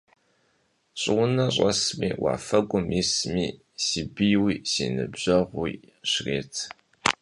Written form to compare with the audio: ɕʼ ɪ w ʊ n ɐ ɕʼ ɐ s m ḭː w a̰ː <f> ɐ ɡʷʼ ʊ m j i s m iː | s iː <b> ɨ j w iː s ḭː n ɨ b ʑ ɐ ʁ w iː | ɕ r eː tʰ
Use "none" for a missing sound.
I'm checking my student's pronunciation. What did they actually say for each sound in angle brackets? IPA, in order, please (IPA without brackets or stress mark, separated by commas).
f, b